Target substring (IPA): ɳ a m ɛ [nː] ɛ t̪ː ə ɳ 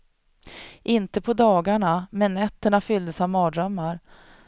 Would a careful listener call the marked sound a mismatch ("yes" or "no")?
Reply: no